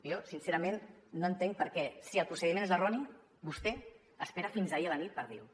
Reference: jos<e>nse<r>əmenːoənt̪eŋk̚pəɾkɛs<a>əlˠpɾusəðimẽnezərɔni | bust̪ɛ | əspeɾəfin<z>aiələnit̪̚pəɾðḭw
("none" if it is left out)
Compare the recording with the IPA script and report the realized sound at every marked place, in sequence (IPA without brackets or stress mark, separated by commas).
i, ɾ, i, z